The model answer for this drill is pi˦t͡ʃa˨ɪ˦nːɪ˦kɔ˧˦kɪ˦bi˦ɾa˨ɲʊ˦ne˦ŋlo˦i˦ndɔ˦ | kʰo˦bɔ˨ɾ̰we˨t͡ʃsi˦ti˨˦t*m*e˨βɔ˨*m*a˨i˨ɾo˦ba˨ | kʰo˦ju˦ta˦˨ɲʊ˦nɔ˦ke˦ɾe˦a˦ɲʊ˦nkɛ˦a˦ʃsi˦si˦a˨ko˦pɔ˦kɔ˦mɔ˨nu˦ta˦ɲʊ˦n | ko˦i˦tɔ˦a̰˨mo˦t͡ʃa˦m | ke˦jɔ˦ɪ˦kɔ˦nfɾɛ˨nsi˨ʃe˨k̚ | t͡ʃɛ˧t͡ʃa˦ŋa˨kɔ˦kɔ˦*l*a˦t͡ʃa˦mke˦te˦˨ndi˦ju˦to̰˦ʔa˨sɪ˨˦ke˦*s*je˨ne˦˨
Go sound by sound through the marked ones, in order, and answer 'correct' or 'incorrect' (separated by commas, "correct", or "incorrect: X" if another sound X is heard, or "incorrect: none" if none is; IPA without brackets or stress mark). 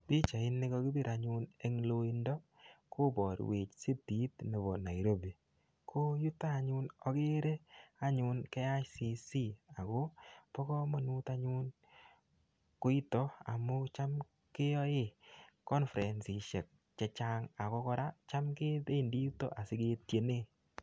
incorrect: n, incorrect: n, incorrect: ɾ, incorrect: t